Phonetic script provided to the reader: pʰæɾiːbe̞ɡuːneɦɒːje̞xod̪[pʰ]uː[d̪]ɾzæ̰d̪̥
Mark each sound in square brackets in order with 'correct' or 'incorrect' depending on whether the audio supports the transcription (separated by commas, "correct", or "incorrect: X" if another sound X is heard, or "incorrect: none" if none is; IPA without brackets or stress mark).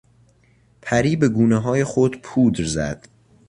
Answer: correct, correct